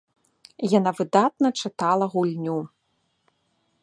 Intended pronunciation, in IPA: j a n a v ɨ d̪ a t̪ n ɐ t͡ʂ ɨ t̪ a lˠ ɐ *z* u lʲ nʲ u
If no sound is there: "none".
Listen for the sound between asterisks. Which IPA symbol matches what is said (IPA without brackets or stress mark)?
ɣ